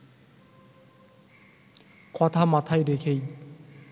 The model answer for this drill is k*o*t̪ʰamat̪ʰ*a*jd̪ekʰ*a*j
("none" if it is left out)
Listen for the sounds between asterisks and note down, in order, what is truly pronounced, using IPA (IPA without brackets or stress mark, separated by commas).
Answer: ɔ, a, e